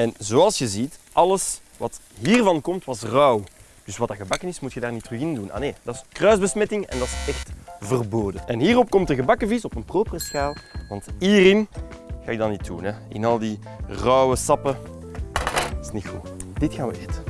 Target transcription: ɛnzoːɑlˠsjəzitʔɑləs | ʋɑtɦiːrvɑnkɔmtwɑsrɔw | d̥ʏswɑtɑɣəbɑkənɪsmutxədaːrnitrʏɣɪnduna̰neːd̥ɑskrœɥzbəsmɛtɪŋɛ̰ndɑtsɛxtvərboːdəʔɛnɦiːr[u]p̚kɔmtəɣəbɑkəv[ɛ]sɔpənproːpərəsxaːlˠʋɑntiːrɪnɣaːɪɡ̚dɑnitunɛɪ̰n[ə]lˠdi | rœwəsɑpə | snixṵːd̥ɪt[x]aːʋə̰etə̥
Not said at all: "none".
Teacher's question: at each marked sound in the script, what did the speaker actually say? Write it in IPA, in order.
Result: ɔ, i, ɑ, x

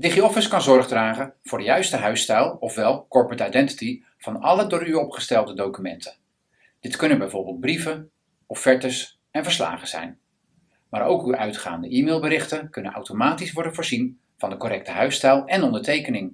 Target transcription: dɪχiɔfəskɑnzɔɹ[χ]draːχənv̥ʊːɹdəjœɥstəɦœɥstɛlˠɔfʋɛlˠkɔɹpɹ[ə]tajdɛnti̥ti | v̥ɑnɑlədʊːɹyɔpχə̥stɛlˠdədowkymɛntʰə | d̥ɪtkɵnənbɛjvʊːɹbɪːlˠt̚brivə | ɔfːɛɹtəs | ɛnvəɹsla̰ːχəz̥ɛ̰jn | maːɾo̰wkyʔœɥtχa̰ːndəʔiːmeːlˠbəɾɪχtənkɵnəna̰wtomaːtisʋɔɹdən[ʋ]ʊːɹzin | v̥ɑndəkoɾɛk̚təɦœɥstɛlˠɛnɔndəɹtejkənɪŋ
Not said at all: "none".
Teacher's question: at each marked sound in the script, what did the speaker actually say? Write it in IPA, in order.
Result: χ, ə, v

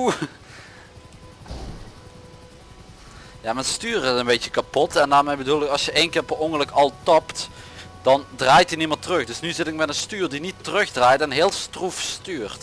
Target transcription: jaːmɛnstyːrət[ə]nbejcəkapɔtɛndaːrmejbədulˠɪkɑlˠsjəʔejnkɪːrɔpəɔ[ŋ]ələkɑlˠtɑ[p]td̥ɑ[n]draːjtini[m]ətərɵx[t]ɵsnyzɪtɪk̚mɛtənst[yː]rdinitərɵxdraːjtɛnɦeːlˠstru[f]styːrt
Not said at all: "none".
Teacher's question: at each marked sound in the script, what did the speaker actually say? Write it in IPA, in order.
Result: ə, ŋ, p, n, m, d, yː, f

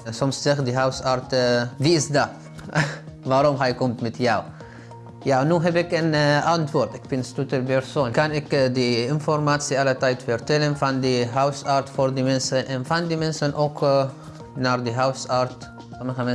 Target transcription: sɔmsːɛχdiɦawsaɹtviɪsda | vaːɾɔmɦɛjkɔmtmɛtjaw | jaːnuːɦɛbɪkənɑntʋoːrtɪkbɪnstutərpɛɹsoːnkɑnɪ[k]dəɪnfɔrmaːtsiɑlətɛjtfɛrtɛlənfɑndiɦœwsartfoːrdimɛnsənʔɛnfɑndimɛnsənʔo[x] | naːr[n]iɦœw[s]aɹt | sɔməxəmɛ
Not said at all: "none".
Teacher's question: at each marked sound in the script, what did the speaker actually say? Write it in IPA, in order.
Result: k, k, d, s

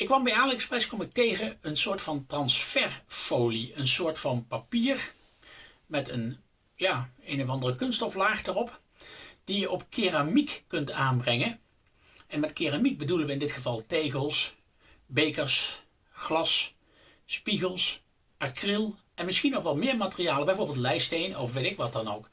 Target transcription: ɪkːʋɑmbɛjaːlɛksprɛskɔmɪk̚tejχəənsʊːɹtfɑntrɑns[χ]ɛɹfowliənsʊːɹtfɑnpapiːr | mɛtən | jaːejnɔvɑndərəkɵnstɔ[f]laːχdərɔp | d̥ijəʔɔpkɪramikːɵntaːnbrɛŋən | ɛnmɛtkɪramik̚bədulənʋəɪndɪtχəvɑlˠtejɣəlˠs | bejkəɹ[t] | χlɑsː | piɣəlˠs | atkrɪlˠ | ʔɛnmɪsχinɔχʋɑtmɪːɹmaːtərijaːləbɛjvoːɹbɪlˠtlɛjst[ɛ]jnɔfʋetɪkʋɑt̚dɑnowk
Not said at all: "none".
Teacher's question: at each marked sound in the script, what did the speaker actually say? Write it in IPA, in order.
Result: f, f, s, e

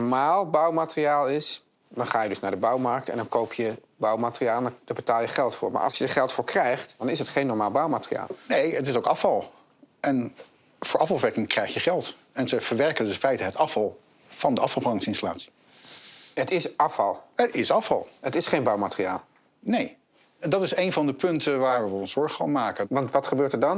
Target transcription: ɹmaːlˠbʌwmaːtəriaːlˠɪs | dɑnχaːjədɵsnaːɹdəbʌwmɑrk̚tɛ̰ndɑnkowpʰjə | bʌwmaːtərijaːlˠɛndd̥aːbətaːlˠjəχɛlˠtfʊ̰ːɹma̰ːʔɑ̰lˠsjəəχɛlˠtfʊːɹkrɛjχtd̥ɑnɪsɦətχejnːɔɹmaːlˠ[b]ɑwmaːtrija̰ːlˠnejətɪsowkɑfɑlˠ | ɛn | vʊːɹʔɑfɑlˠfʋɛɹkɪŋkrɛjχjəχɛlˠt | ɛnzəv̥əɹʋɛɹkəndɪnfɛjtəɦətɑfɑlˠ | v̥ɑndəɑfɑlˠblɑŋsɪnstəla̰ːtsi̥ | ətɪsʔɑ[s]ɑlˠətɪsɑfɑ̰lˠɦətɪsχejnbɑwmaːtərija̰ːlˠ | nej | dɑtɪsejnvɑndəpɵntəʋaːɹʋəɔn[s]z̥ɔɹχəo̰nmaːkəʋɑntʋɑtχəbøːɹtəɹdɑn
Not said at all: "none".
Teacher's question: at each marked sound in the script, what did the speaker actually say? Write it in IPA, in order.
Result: b, f, s

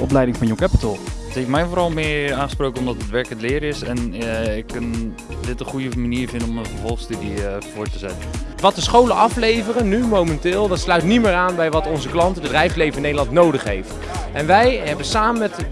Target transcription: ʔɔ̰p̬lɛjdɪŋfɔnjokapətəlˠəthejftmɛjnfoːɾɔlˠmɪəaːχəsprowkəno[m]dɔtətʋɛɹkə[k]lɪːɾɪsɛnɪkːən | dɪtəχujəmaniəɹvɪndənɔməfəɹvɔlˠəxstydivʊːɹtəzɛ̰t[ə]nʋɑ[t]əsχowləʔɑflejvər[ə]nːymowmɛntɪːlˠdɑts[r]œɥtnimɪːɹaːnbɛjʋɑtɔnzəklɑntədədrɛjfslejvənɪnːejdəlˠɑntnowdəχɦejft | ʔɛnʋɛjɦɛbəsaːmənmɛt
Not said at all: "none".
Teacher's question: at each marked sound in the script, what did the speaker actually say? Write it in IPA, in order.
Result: m, t, ə, t, ə, l

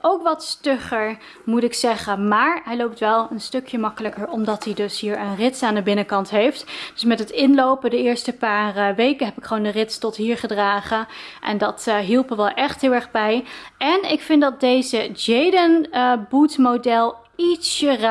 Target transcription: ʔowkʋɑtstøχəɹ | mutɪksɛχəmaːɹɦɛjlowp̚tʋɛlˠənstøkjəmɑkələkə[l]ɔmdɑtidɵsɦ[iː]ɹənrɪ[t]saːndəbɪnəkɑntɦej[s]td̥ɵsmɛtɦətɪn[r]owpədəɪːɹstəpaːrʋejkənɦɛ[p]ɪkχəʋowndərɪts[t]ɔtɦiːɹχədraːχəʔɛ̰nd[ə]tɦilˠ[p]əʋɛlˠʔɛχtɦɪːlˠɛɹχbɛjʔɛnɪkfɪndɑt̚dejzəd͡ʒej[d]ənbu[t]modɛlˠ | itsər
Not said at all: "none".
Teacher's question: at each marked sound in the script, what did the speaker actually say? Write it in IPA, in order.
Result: ɹ, iː, t, f, l, p, t, ɑ, p, d, t

